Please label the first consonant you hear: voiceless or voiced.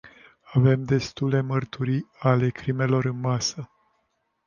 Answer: voiced